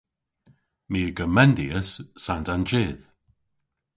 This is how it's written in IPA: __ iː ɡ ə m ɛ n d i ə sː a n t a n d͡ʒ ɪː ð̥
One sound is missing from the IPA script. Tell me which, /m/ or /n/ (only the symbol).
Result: m